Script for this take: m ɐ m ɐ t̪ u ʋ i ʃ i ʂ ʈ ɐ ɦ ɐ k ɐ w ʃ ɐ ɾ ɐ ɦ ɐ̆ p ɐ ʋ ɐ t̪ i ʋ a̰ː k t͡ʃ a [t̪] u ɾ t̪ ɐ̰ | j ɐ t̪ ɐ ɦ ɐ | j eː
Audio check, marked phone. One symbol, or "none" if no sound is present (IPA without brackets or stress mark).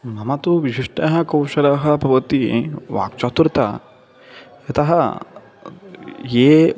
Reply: t̪